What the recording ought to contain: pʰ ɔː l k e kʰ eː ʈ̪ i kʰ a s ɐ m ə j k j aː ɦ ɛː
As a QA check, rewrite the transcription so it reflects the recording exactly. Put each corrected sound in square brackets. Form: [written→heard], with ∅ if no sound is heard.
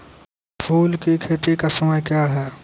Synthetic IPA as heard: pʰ [ɔː→uː] l k [e→i] kʰ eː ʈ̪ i [kʰ→k] a s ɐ m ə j k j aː ɦ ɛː